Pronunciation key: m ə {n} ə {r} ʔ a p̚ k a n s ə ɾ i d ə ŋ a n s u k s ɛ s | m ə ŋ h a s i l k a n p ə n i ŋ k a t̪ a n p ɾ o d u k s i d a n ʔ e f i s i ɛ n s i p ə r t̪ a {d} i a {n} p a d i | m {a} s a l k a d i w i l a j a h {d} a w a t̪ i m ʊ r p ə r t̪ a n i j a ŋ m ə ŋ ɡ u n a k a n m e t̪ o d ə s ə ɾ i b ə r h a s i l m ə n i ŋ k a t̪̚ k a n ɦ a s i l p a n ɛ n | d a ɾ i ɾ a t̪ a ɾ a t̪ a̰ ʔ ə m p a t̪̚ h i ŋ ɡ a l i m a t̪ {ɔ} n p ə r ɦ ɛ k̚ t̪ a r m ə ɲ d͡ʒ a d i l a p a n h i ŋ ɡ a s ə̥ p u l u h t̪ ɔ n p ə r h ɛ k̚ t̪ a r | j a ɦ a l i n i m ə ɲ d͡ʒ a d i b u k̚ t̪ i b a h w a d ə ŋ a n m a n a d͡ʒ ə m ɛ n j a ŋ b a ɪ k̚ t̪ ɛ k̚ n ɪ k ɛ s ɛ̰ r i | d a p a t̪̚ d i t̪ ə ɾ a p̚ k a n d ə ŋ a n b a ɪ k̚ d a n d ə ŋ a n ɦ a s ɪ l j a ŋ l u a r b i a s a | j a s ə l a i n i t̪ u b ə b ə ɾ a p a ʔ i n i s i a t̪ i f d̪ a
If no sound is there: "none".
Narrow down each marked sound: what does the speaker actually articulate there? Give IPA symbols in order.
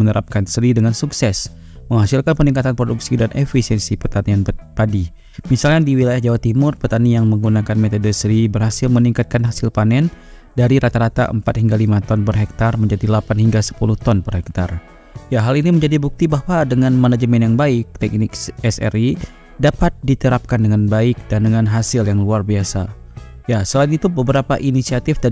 n, ɾ, n, n, i, d͡ʒ, ɔ

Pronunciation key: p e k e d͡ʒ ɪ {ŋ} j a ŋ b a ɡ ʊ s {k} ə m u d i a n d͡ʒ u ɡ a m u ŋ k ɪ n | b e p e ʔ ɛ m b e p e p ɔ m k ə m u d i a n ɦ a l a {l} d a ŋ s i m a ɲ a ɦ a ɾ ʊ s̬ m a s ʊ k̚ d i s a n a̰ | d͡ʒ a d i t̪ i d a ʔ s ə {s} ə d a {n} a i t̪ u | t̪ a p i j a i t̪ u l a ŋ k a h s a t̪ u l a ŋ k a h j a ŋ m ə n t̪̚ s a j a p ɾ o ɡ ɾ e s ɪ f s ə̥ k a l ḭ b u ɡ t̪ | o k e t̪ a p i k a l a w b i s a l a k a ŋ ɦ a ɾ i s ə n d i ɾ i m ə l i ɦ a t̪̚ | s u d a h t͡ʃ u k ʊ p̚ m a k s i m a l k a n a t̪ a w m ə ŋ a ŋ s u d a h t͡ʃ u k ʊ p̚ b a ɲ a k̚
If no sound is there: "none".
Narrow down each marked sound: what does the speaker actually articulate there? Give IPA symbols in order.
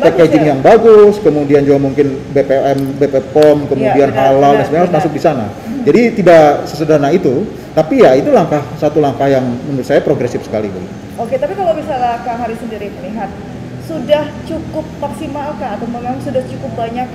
ŋ, k, l, s, n

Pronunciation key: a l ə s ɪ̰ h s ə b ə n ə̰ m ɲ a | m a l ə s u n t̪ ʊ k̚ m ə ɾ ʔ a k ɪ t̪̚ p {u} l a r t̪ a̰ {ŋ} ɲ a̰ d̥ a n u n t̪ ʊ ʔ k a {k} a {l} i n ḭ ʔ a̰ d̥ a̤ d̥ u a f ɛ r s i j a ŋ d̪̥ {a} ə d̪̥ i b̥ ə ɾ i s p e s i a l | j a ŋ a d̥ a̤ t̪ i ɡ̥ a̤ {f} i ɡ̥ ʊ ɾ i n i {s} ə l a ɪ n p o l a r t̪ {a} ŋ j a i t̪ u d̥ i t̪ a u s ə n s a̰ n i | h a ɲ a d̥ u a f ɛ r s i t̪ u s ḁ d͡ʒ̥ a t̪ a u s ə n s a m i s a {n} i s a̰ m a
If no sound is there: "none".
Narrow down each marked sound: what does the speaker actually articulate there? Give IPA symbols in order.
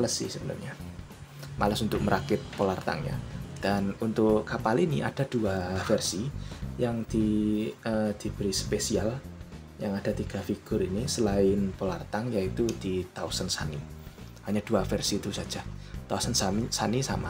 o, ŋ, p, l, i, f, s, a, n

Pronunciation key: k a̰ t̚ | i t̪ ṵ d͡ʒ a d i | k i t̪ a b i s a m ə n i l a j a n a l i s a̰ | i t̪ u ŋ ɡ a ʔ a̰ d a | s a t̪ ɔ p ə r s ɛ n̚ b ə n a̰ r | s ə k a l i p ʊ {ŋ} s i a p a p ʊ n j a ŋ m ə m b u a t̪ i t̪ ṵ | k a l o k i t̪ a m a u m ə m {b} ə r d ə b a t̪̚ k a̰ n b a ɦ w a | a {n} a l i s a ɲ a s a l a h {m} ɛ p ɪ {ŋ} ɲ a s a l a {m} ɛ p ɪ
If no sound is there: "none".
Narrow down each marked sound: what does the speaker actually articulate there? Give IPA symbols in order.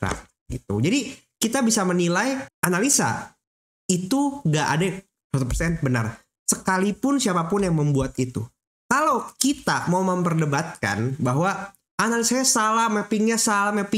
n, p, n, m, ŋ, m

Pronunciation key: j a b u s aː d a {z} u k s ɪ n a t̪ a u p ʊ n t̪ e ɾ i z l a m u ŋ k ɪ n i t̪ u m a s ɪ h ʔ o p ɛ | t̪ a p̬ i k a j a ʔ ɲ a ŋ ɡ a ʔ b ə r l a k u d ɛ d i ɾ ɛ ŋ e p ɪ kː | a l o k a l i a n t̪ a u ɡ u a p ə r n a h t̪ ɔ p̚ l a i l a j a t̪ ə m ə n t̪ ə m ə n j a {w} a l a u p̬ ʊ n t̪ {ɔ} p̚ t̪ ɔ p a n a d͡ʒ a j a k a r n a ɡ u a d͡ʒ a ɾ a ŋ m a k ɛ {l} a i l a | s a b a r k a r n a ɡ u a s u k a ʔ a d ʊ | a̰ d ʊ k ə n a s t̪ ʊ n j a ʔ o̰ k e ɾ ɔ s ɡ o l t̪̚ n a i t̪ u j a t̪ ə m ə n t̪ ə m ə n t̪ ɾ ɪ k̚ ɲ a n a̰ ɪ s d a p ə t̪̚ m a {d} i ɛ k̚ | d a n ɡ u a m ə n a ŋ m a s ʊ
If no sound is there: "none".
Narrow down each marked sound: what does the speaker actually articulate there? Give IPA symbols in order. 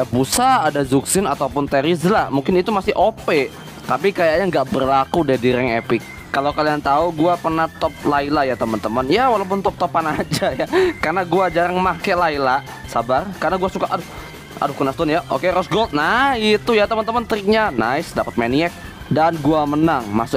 z, w, ɔ, l, n

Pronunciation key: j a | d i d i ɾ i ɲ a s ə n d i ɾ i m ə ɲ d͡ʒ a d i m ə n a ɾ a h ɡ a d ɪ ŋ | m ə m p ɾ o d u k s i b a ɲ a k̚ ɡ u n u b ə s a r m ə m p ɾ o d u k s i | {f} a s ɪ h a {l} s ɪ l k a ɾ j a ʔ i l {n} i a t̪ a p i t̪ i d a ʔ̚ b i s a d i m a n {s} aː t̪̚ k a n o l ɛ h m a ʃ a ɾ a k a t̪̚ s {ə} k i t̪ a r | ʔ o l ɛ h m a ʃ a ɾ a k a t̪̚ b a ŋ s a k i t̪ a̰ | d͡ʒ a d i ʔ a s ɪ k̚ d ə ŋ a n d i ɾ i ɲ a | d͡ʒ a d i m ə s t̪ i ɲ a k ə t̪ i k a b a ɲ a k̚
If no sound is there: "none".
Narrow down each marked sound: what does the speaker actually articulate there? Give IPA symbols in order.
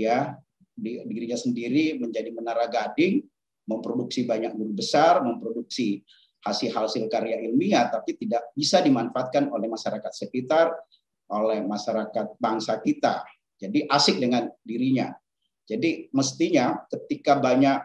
h, l, m, f, ə

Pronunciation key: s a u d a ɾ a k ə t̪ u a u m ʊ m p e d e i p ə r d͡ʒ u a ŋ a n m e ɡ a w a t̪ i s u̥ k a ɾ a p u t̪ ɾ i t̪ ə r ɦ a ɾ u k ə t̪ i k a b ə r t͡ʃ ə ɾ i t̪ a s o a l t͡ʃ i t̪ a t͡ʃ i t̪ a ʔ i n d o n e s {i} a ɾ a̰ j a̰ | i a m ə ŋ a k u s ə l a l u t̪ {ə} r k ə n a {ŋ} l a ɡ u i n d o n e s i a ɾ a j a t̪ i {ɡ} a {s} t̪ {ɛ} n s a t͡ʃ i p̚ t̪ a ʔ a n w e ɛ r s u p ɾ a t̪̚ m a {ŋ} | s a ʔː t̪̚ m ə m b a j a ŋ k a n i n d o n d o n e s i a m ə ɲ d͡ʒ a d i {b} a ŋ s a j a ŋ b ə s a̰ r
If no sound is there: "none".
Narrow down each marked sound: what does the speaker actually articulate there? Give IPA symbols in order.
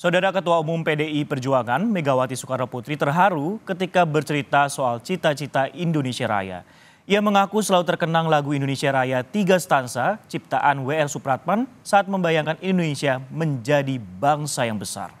i, ə, ŋ, ɡ, s, a, n, b

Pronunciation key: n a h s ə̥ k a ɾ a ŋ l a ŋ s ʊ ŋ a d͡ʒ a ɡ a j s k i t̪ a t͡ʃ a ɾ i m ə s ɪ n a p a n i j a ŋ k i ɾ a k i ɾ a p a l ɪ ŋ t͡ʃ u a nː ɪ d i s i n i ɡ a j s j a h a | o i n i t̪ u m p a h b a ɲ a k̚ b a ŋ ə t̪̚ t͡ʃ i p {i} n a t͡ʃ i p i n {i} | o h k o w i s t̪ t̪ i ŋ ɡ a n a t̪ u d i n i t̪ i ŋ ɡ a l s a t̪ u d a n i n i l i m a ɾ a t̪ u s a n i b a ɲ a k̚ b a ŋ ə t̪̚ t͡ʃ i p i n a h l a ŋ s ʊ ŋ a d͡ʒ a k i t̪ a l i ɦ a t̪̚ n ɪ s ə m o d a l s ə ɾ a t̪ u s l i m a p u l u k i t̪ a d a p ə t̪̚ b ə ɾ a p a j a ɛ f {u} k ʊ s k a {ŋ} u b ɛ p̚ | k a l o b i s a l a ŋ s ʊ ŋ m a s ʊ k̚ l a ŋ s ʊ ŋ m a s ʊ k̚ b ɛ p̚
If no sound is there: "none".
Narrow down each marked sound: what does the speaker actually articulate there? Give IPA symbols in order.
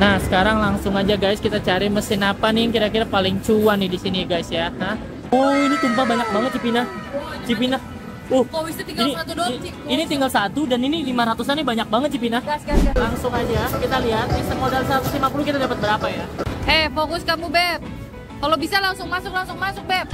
i, a, o, m

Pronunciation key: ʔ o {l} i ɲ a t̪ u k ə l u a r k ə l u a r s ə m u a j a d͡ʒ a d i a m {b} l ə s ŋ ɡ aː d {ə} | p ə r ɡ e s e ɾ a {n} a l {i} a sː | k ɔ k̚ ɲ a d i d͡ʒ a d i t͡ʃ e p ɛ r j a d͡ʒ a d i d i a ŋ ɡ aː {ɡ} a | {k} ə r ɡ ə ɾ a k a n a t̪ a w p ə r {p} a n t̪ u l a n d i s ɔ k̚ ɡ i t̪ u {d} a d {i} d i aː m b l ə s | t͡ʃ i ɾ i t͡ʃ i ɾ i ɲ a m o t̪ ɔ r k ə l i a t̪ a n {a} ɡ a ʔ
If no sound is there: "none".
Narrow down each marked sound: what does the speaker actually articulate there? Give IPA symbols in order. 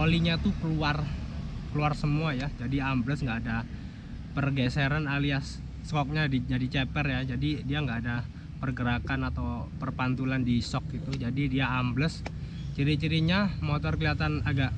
l, b, a, n, i, d, p, p, d͡ʒ, i, a

